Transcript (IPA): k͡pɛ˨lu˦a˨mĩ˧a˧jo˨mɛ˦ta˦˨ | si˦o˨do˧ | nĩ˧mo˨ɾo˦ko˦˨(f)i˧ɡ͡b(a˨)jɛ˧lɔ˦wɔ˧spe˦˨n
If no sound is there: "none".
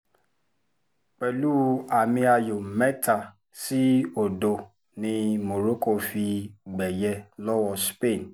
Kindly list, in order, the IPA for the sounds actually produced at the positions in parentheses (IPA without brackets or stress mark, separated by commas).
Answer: f, ɛ˨